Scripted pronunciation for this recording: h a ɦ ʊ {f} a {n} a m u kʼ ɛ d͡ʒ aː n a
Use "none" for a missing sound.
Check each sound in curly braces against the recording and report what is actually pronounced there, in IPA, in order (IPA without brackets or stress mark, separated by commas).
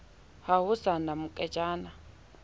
s, n